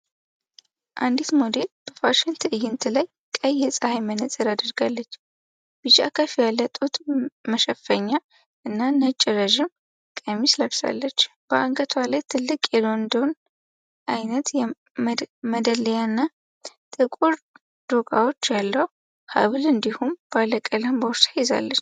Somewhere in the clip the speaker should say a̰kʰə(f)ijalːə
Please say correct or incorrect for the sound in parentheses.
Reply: correct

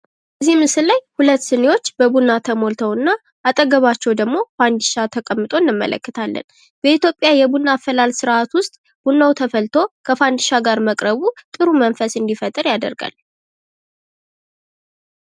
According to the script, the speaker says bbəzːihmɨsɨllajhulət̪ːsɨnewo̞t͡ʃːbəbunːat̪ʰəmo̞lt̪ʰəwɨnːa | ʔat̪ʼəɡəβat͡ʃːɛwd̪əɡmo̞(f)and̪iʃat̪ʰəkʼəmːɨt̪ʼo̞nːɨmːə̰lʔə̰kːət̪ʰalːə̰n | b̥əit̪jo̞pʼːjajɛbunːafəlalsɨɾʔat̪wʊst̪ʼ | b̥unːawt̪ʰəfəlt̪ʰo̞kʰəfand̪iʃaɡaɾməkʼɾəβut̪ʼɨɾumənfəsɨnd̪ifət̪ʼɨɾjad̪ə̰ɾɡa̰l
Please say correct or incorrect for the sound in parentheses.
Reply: correct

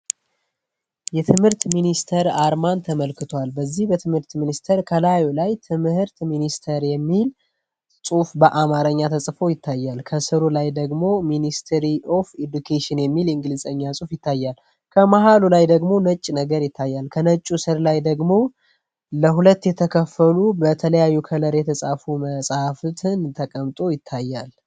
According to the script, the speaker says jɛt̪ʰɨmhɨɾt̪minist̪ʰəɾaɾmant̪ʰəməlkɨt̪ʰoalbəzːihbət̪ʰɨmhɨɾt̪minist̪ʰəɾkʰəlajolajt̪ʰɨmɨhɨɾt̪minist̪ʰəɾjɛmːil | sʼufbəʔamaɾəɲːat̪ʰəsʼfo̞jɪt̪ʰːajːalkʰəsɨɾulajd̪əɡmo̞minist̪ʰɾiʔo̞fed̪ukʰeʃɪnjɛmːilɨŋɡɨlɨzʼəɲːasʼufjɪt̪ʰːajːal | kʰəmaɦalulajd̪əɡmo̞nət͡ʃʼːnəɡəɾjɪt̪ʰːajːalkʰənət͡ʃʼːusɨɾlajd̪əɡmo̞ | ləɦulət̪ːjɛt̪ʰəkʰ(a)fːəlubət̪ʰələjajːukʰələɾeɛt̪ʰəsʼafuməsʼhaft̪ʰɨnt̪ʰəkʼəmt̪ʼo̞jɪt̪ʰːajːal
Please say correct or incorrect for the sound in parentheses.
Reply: incorrect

